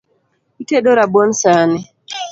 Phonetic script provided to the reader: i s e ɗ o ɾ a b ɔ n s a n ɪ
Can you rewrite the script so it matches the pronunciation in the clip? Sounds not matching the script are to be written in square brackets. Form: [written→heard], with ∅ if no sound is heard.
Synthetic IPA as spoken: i [s→t] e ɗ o ɾ a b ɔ n s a n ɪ